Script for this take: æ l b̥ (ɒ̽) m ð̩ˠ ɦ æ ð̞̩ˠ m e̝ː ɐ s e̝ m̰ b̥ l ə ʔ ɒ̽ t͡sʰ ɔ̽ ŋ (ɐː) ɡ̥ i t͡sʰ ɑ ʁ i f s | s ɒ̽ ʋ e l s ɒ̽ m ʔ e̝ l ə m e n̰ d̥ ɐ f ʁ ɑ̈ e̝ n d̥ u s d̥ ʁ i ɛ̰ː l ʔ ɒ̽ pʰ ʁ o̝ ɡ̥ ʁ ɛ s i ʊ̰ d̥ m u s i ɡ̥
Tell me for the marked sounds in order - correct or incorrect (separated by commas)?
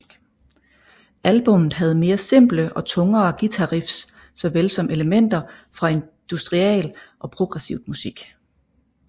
incorrect, correct